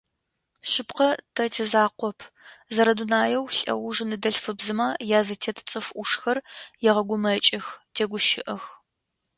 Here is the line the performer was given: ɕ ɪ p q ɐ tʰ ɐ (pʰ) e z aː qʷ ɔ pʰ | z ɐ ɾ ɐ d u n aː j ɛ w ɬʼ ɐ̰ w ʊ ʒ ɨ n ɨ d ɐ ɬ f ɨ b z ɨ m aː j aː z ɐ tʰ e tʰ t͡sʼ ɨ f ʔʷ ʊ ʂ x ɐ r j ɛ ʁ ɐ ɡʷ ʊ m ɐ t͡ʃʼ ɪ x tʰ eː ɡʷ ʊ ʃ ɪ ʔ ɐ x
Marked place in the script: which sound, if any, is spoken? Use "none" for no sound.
tʰ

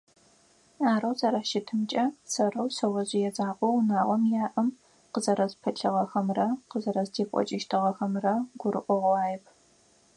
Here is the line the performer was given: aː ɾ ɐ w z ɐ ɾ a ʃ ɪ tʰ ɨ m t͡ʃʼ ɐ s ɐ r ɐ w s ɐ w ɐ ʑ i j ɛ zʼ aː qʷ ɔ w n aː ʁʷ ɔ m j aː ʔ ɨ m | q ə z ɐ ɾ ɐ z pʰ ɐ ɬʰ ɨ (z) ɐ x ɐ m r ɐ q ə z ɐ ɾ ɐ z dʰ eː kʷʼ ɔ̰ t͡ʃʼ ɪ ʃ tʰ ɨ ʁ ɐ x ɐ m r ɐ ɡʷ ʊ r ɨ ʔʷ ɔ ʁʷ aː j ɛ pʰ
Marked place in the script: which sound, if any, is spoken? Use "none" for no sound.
ʁ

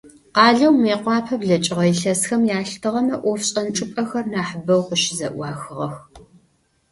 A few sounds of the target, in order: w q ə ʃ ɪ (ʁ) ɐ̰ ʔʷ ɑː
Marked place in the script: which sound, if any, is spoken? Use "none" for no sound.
z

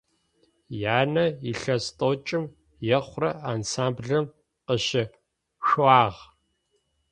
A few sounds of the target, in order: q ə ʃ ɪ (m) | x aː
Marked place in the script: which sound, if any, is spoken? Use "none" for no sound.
none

